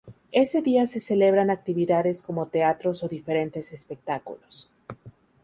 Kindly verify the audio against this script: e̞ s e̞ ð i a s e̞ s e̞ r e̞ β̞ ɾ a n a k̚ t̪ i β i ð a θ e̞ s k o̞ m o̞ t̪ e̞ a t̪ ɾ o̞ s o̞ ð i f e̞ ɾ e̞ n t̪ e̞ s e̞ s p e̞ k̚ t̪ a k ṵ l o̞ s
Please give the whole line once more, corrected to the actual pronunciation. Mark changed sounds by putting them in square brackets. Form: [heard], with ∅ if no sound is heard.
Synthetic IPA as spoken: e̞ s e̞ ð i a s e̞ s e̞ [l] e̞ β̞ ɾ a n a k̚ t̪ i β i ð a [ð] e̞ s k o̞ m o̞ t̪ e̞ a t̪ ɾ o̞ s o̞ ð i f e̞ ɾ e̞ n t̪ e̞ s e̞ s p e̞ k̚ t̪ a k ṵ l o̞ s

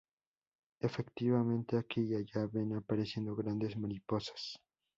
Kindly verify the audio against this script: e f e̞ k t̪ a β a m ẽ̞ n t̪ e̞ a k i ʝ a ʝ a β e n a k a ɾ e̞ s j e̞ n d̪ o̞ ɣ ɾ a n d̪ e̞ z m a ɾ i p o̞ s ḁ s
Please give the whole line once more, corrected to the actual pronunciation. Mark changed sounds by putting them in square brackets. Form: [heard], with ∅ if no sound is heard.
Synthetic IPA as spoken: e f e̞ k t̪ [i] β a m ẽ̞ n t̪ e̞ a k i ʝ a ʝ a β e n a [p] a ɾ e̞ s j e̞ n d̪ o̞ ɣ ɾ a n d̪ e̞ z m a ɾ i p o̞ s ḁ s

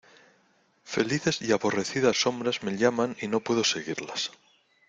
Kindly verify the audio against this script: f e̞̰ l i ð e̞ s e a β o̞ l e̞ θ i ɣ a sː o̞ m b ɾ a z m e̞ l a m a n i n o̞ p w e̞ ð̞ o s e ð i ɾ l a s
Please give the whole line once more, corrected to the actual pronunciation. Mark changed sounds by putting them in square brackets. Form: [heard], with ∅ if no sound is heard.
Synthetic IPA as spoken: f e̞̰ l i [θ] e̞ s [i] a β o̞ [r] e̞ θ i [ð] a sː o̞ m b ɾ a z m e̞ [ʎ] a m a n i n o̞ p w e̞ ð̞ o s e [ɣ] i ɾ l a s

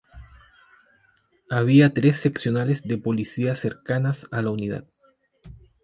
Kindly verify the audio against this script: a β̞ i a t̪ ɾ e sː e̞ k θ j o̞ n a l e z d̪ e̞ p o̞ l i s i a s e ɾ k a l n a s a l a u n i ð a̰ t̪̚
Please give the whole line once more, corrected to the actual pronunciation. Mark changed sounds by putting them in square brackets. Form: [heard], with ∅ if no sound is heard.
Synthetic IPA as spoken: a β̞ i a t̪ ɾ e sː e̞ k [s] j o̞ n a l e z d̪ e̞ p o̞ l i s i a s e ɾ k a [∅] n a s a l a u n i ð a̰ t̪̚

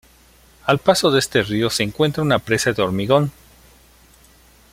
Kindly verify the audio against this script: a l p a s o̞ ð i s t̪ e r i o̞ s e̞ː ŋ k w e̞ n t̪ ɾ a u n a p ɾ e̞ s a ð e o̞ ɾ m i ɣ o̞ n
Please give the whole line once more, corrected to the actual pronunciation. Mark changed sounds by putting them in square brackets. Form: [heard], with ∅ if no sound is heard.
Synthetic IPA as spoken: a l p a s o̞ ð [e] s t̪ e r i o̞ s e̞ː ŋ k w e̞ n t̪ ɾ a u n a p ɾ e̞ s a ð e o̞ ɾ m i ɣ o̞ n

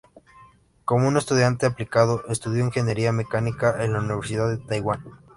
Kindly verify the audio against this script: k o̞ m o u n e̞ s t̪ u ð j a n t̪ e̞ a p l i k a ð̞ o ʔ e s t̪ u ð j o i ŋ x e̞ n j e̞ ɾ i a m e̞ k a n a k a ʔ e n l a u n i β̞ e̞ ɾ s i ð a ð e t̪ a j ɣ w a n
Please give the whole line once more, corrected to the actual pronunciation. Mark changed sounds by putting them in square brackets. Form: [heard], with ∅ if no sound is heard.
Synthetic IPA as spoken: k o̞ m o u n e̞ s t̪ u ð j a n t̪ e̞ a p l i k a ð̞ o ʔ e s t̪ u ð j o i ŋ x e̞ n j e̞ ɾ i a m e̞ k a n [i] k a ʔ e n l a u n i β̞ e̞ ɾ s i ð a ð e t̪ a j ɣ w a n

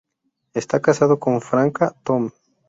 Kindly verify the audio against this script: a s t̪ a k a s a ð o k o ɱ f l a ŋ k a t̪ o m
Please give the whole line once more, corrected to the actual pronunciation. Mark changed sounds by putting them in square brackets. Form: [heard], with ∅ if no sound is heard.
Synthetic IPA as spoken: [e] s t̪ a k a s a ð o k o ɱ f [ɾ] a ŋ k a t̪ o m

